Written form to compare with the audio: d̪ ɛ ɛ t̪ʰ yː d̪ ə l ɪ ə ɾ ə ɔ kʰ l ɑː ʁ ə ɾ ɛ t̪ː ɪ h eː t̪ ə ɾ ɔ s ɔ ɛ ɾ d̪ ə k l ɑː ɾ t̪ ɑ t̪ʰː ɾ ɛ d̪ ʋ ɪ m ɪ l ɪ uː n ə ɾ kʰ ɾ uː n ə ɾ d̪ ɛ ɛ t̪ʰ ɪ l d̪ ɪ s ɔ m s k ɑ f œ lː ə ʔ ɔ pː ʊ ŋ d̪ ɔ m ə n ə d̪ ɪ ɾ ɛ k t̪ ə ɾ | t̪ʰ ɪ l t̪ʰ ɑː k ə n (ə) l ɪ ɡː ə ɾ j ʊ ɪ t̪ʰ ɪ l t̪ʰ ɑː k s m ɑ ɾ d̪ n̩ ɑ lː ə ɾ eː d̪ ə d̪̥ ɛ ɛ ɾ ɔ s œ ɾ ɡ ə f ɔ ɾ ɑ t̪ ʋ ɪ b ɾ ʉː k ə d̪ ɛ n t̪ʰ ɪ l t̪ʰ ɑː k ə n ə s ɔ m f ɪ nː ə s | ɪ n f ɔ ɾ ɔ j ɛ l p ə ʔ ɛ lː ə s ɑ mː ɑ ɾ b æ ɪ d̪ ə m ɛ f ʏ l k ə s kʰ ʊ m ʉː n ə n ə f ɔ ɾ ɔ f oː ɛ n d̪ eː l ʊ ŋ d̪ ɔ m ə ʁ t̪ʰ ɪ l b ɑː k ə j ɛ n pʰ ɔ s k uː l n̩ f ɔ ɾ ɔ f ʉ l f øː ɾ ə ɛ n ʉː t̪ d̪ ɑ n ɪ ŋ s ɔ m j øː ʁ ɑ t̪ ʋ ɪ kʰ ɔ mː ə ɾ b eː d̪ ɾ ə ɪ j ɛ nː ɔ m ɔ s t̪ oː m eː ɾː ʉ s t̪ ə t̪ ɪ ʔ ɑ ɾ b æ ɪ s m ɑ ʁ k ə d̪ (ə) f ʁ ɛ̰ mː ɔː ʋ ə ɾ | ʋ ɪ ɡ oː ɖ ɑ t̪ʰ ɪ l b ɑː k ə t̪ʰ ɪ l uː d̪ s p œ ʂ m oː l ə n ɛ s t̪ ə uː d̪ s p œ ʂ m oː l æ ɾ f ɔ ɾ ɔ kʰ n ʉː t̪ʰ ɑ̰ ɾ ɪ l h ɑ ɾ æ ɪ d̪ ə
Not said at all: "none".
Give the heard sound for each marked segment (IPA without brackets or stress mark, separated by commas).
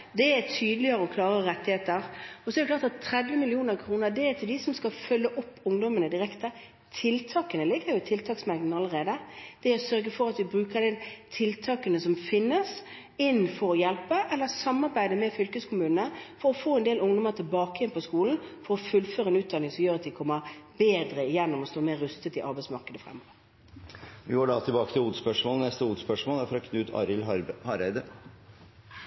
ə, ə